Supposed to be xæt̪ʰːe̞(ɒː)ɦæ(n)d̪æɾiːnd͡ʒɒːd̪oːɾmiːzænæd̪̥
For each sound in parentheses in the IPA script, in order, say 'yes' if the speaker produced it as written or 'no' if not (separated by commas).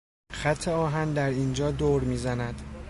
yes, yes